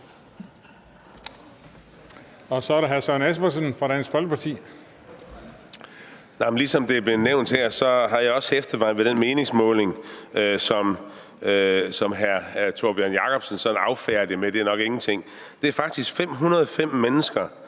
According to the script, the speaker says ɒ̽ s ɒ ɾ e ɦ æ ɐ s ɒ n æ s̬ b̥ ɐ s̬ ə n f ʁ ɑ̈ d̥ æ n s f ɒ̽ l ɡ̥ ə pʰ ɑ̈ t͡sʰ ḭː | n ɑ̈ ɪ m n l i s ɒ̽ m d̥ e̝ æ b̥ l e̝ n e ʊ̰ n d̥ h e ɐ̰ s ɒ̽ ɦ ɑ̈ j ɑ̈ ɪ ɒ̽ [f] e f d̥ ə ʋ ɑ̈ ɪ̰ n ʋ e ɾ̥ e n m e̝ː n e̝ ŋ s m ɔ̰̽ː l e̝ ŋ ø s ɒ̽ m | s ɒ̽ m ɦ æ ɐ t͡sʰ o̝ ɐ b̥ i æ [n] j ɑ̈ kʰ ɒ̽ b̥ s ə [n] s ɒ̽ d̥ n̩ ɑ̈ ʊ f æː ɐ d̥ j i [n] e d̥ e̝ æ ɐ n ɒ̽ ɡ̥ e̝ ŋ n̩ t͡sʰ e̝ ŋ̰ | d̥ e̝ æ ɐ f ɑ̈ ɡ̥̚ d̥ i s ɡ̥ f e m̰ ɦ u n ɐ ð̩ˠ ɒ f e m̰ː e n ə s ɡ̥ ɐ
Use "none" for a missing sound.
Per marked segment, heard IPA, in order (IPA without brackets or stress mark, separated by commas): s, n, n, m